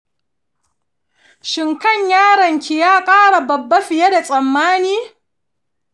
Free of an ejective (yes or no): no